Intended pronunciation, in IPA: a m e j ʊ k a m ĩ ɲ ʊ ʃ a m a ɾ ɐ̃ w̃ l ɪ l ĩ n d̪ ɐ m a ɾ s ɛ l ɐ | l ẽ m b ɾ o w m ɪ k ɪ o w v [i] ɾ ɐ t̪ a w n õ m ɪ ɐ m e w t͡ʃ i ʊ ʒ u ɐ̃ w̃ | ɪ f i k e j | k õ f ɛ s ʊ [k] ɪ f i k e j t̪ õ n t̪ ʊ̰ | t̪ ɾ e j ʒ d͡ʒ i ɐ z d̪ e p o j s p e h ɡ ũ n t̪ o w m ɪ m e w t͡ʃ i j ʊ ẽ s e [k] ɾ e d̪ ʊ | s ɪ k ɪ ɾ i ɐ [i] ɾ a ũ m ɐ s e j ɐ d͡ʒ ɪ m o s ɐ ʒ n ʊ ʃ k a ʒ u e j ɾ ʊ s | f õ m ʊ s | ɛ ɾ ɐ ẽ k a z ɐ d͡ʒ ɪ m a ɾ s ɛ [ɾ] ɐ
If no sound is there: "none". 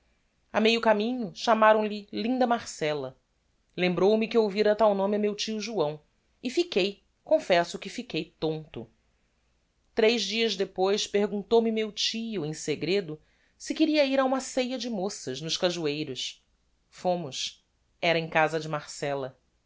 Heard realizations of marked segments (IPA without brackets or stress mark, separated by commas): i, k, ɡ, i, l